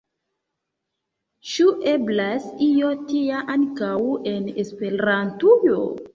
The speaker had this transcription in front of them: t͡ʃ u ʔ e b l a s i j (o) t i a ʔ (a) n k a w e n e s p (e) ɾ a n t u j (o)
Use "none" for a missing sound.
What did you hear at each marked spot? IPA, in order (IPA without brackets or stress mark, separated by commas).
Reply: o, a, e, o